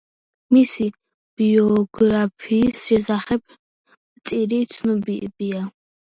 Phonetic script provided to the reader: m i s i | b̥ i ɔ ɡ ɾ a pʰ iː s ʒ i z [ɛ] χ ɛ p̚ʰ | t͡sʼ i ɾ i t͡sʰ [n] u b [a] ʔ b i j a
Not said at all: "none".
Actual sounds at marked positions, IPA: a, n, i

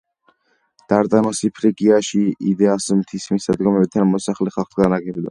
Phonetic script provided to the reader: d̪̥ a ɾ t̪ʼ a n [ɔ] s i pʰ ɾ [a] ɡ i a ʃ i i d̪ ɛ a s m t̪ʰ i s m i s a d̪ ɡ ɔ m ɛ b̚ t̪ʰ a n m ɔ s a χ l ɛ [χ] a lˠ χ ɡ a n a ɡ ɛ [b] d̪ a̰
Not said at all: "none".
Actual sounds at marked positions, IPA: ɔ, i, χ, b

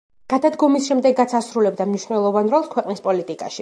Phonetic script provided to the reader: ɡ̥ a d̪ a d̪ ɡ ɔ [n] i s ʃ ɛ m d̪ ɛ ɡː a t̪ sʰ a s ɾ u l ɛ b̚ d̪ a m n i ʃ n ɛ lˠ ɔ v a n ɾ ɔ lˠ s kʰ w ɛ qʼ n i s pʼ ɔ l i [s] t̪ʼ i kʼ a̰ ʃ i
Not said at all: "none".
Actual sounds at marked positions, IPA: m, none

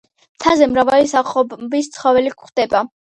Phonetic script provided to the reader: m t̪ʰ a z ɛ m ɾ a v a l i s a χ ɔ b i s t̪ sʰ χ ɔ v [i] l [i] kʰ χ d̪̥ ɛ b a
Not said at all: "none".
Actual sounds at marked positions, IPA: ɛ, i

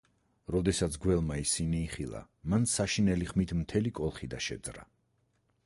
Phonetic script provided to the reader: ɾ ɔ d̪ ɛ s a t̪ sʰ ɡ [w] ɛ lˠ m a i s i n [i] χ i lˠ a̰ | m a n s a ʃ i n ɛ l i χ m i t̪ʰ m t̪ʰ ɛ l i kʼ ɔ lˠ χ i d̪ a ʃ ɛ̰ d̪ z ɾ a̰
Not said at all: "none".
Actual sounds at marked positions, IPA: w, iː

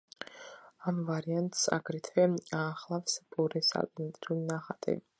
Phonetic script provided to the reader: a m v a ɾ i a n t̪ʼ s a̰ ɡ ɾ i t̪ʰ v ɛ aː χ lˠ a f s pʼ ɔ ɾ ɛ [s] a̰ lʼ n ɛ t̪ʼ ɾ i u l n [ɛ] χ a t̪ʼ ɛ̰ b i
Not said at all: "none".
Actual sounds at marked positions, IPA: s, a

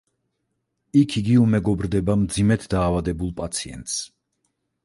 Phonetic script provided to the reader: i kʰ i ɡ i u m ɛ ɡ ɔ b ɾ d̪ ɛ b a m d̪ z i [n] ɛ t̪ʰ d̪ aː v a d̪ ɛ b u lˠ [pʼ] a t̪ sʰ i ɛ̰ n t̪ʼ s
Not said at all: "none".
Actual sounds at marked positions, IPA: m, pʼ

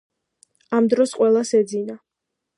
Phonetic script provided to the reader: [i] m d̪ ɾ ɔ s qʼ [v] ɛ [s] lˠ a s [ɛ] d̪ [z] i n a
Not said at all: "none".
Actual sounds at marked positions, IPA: a, w, none, ɛ, z

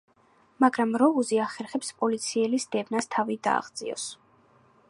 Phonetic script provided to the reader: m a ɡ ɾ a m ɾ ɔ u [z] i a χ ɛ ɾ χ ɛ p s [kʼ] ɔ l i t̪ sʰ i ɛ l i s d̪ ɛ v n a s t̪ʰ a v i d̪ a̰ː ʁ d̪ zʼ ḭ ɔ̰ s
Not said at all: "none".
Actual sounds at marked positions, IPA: z, pʼ

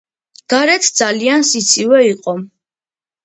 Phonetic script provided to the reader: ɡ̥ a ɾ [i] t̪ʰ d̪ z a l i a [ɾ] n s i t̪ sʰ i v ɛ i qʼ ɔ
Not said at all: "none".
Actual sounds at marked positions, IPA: ɛ, none

